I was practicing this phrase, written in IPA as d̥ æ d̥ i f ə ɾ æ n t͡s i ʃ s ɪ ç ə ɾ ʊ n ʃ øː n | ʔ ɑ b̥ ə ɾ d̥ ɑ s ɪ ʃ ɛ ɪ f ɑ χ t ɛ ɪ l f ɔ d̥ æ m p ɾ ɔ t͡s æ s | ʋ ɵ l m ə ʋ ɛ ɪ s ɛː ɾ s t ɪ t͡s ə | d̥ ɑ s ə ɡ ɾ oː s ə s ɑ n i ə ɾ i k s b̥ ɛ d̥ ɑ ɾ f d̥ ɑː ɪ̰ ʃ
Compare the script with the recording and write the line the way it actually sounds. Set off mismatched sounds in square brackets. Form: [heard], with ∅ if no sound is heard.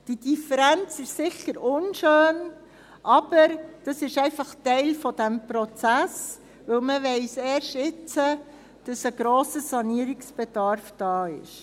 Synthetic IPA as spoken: d̥ [i] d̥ i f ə ɾ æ n t͡s [ɪ] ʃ s ɪ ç ə ɾ ʊ n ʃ øː n | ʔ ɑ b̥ ə ɾ d̥ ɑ s ɪ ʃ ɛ ɪ f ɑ χ t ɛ ɪ l f ɔ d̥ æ m p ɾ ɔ t͡s æ s | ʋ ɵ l m ə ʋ ɛ ɪ s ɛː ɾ [ʃ] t ɪ t͡s ə | d̥ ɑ s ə ɡ ɾ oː s ə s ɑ n i ə ɾ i k s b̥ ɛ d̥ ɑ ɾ f d̥ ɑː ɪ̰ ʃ